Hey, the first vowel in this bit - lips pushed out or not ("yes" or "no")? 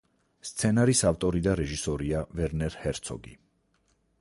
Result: no